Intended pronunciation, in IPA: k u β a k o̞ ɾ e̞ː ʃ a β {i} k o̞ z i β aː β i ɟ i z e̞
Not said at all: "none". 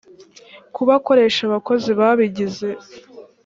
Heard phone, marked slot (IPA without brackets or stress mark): a